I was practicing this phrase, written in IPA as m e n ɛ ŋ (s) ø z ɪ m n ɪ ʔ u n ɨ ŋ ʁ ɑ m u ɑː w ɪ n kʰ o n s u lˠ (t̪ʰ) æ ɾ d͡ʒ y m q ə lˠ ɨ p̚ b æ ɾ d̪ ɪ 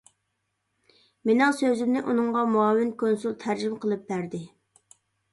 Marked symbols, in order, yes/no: yes, yes

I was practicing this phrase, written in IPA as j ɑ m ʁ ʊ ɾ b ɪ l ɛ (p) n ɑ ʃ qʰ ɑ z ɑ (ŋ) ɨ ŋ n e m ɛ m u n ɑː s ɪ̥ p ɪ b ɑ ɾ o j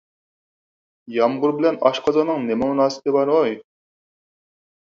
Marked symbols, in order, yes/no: no, no

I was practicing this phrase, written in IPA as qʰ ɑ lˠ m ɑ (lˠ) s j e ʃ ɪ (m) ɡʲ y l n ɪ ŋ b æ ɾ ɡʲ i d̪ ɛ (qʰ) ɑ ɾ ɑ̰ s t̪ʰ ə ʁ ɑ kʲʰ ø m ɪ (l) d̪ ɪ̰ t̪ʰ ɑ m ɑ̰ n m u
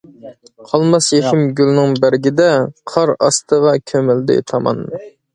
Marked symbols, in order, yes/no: no, yes, yes, yes

